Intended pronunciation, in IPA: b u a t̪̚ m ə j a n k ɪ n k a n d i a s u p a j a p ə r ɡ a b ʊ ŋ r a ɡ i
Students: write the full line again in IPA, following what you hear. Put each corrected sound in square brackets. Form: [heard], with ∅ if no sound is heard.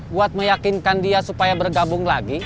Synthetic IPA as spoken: b u a t̪̚ m ə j a [∅] k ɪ n k a n d i a s u p a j a [b] ə r ɡ a b ʊ ŋ [l] a ɡ i